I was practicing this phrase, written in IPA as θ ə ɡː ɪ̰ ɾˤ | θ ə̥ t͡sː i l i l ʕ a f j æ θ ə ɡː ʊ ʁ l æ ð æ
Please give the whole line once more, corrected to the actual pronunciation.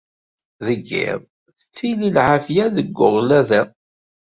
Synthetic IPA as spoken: ð ə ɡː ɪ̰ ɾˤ | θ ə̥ t͡sː i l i l ʕ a f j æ ð ə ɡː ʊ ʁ l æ ð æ

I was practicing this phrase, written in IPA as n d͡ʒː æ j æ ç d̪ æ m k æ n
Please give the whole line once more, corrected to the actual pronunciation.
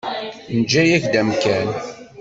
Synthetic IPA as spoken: n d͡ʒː æ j æ ç d̪ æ m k æ n

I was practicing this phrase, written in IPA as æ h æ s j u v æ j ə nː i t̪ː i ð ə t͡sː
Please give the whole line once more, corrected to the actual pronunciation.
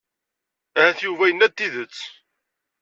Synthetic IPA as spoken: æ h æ θ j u v æ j ə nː æ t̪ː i ð ə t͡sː

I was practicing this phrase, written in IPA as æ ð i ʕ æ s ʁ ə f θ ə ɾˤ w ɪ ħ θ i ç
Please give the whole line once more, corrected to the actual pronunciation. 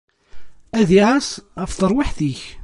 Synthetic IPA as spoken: æ ð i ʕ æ s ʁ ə f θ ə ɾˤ w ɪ ħ θ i ç

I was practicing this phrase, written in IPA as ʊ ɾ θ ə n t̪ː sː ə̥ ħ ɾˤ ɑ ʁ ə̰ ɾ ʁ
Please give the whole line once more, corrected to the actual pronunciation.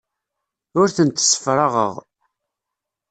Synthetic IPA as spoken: ʊ ɾ θ ə n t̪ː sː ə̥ f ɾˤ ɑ ʁ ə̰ ʁ

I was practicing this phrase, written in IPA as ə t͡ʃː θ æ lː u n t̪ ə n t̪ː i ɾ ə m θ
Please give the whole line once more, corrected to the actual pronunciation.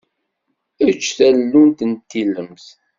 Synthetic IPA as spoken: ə t͡ʃː θ æ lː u n t̪ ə n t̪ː i l ə m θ

